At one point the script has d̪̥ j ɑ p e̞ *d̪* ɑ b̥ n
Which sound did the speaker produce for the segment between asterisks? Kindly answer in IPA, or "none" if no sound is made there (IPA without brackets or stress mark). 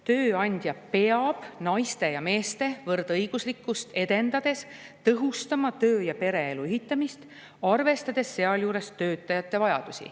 none